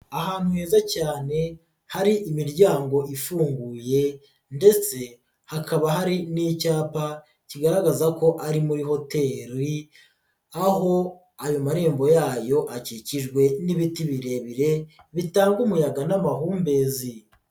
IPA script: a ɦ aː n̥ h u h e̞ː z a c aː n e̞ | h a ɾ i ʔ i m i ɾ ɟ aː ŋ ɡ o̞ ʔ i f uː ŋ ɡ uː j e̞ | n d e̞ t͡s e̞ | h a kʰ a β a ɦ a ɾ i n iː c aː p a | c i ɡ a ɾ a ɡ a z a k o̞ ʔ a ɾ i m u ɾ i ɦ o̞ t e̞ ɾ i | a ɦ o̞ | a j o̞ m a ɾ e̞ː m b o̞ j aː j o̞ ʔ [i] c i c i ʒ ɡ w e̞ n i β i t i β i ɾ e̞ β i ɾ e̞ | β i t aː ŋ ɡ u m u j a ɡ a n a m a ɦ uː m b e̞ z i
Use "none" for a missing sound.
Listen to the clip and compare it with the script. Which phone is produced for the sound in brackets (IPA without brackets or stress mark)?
a